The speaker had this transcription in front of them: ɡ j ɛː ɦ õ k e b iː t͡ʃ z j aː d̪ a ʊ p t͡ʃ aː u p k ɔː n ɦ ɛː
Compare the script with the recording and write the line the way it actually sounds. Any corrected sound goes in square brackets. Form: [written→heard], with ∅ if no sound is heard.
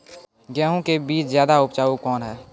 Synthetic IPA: ɡ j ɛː ɦ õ k e b iː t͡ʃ z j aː d̪ a ʊ p t͡ʃ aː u [p→∅] k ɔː n ɦ ɛː